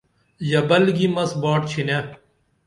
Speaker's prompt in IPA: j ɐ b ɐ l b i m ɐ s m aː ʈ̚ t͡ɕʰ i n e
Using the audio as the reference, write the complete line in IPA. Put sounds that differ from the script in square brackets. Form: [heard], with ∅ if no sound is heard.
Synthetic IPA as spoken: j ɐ b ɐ l [ɡ] i m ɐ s [b] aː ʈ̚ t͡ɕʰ i n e